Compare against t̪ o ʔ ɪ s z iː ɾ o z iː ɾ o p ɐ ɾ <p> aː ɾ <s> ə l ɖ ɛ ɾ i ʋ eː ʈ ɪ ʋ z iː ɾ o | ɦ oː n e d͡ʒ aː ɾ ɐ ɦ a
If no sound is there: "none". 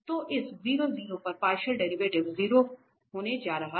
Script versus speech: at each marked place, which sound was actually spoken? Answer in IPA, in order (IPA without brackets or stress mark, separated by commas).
p, ʃ